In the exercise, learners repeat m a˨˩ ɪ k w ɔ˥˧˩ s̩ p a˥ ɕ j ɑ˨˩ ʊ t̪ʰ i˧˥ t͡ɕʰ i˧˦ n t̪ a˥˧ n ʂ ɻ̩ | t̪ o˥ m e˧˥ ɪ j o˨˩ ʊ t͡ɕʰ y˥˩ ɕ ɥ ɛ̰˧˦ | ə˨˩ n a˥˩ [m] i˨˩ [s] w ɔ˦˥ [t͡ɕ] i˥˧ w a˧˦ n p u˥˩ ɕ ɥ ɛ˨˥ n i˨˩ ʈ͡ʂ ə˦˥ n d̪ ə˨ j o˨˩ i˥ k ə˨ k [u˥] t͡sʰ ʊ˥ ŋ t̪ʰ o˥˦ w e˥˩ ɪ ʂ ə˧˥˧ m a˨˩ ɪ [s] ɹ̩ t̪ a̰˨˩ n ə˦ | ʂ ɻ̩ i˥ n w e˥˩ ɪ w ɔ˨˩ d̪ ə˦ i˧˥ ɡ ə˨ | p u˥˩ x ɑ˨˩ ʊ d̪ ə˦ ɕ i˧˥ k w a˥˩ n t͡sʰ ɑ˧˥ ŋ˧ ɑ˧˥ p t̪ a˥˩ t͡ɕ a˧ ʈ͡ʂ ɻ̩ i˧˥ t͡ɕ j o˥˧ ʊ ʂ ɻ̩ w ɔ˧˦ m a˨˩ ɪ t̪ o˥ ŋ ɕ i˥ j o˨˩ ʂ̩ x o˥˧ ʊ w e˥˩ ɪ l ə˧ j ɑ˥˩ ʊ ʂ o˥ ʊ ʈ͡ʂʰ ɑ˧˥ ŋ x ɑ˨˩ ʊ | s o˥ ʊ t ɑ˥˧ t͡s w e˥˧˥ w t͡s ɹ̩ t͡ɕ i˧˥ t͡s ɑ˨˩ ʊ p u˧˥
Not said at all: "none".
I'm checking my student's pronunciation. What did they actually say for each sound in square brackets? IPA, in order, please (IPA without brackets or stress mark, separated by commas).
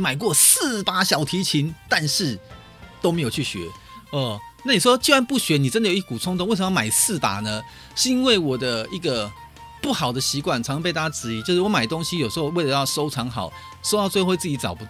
n, ʂ, t͡ɕ, u˨˩, s